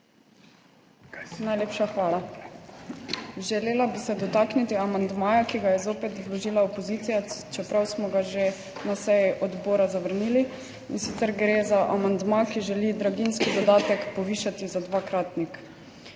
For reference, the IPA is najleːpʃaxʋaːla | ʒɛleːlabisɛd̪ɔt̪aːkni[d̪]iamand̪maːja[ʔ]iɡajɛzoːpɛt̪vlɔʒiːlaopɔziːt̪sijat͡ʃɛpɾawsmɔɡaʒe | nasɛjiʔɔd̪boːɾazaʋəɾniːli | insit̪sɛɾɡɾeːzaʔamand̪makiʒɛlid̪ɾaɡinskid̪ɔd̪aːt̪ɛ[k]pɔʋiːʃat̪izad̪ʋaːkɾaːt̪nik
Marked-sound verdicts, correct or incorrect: incorrect, incorrect, correct

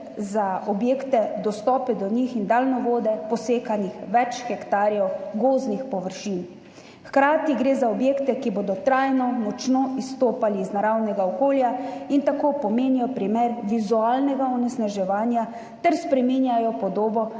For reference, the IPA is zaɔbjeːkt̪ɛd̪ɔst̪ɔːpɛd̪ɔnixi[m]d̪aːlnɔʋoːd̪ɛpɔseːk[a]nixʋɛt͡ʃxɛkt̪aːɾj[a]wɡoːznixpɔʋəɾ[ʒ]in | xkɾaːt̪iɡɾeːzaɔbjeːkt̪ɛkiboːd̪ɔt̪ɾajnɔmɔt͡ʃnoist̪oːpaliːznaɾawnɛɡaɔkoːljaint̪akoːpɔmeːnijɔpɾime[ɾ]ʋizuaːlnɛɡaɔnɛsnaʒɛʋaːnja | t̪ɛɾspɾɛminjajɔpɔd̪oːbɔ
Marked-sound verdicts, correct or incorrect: incorrect, correct, incorrect, incorrect, correct

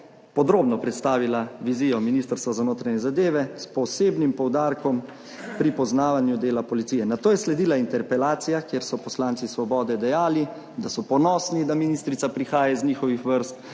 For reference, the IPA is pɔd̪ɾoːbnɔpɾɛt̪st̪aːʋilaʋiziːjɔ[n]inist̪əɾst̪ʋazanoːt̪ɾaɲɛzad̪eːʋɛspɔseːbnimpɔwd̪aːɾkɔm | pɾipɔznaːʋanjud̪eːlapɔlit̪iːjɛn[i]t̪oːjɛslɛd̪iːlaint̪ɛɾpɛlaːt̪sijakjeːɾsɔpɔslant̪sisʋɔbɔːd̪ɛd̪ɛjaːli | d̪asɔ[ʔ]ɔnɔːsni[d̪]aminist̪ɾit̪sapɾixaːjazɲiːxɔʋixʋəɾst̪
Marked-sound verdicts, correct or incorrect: incorrect, incorrect, incorrect, correct

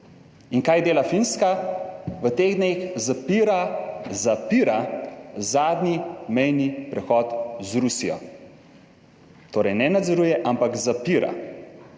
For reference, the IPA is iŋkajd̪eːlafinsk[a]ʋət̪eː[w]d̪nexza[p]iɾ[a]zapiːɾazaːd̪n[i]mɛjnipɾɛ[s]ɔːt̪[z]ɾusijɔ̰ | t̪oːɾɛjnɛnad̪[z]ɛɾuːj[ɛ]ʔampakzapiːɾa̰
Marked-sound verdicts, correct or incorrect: correct, incorrect, correct, correct, correct, incorrect, correct, correct, correct

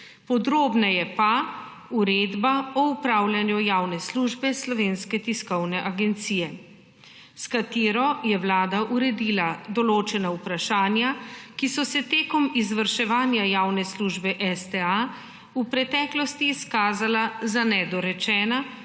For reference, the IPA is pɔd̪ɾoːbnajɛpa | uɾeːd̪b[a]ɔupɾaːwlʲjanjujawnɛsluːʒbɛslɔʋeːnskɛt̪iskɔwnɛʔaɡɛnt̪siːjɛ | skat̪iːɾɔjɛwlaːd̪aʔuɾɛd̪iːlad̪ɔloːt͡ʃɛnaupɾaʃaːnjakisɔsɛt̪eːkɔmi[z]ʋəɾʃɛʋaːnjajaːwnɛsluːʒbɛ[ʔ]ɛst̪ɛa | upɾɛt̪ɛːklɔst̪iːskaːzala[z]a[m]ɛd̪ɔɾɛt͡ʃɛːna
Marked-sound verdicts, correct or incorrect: correct, correct, correct, correct, incorrect

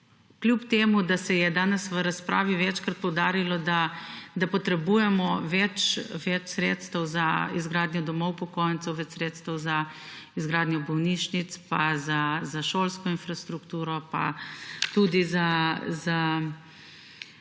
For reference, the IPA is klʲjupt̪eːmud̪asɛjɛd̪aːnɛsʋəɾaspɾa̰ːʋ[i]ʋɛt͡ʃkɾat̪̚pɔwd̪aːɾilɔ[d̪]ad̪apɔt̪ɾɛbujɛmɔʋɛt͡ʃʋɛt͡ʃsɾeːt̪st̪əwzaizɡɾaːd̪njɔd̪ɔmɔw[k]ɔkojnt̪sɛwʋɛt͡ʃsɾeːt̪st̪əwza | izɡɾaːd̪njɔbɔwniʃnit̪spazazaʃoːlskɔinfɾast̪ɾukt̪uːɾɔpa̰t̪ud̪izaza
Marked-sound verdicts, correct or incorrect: correct, correct, incorrect

